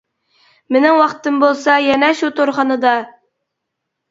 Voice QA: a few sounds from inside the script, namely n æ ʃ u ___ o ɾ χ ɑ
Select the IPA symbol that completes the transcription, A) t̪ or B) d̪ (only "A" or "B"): A